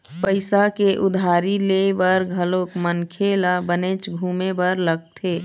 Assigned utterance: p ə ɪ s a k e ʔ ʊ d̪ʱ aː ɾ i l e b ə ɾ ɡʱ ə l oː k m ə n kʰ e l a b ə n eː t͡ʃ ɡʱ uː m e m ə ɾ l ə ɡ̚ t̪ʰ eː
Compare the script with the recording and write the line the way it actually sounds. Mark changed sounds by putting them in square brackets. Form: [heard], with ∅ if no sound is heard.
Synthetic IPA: p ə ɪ s a k e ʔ ʊ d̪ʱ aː ɾ i l e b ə ɾ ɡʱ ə l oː k m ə n kʰ e l a b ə n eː t͡ʃ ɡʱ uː m e [b] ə ɾ l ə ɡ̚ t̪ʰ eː